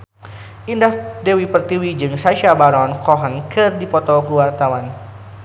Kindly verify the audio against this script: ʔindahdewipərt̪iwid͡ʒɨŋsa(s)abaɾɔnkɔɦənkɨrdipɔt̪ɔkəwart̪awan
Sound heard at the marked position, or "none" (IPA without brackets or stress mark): ʃ